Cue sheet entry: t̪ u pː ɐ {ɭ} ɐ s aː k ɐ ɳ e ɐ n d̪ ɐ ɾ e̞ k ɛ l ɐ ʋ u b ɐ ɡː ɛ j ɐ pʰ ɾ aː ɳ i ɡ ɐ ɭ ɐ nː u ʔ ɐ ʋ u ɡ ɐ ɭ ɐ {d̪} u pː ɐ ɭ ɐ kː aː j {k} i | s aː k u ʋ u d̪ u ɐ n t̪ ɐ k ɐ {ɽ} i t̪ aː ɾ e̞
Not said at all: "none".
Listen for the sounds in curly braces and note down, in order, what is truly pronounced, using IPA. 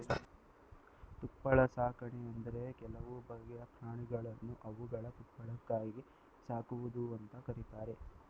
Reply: ɭ, t̪, ɡ, ɾ

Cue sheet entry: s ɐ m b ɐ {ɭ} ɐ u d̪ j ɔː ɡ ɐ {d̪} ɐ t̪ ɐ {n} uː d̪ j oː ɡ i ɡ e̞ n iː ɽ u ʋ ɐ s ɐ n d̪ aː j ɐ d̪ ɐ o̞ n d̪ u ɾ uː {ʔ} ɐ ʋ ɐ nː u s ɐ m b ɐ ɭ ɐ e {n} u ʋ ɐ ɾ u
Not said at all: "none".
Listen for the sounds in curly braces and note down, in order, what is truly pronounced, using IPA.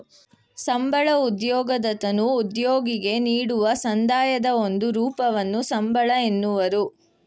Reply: ɭ, d̪, n, p, nː

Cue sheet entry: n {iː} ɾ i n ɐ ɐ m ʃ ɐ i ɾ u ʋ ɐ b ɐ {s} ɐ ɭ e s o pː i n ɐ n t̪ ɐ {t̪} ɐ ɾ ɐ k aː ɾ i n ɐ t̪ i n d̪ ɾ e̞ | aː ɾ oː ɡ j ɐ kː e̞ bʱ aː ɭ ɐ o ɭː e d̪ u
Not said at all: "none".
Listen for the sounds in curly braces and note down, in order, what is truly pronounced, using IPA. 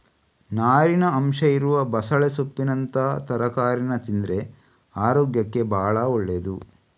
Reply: aː, s, t̪

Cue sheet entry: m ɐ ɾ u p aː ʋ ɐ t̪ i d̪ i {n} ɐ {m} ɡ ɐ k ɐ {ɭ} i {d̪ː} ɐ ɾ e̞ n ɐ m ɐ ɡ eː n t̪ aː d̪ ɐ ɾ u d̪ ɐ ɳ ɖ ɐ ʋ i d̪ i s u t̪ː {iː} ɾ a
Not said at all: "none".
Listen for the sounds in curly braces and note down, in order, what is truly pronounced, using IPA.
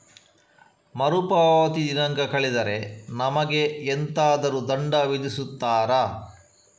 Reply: n, ŋ, ɭ, d̪, aː

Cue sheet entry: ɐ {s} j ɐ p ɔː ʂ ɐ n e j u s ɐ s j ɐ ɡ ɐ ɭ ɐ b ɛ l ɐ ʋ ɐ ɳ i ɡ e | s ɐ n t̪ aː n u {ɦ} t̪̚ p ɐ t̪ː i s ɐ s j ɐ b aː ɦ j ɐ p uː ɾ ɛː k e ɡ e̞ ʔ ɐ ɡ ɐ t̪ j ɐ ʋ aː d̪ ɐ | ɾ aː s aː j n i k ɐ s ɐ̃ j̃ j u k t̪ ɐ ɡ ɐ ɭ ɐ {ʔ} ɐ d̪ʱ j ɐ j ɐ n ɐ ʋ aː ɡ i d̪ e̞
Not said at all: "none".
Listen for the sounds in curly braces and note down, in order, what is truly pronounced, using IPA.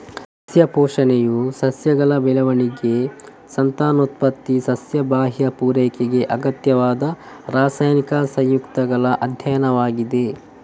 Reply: s, none, ʔ

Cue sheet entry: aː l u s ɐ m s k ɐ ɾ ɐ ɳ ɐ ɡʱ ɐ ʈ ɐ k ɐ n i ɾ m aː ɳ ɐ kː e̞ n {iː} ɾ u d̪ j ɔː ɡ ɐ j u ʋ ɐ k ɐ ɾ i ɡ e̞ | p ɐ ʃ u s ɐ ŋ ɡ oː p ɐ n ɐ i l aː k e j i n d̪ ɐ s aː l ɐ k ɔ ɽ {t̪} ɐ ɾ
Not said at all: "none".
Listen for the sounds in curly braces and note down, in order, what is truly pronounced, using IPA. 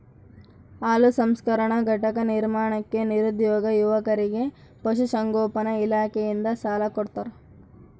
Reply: i, t̪

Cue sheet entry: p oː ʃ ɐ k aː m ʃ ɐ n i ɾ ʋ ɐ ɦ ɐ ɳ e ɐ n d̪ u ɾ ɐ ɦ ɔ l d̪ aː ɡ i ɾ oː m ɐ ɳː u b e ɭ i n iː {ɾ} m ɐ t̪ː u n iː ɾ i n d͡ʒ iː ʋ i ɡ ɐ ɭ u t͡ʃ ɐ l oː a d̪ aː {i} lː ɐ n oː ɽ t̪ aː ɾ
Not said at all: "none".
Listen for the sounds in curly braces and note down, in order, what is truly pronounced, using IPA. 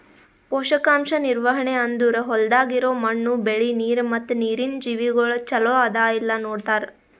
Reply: ɾ, i

